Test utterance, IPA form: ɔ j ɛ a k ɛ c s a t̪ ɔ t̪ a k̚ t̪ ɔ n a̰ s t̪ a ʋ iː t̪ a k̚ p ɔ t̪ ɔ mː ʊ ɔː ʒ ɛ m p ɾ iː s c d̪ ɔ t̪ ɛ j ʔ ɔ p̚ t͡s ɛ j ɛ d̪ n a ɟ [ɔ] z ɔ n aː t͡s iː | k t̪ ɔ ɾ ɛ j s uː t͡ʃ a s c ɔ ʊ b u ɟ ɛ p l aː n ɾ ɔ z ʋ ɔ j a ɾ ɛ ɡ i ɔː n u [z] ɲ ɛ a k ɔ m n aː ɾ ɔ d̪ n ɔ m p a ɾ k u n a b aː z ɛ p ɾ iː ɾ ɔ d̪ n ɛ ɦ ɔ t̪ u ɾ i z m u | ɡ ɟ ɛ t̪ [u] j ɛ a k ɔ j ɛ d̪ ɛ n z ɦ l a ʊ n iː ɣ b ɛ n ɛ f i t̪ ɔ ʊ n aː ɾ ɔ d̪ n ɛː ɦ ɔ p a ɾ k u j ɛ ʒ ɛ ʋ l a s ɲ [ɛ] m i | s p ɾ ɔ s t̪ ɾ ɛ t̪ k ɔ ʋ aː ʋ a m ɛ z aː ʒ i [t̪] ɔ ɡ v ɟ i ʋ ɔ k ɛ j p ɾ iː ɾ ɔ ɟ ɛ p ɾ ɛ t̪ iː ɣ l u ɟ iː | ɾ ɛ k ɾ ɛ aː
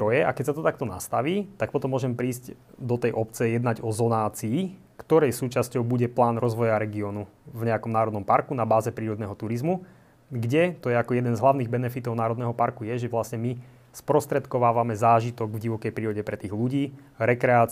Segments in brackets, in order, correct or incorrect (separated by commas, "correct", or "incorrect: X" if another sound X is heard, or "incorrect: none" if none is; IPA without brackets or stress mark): correct, incorrect: v, incorrect: ɔ, correct, correct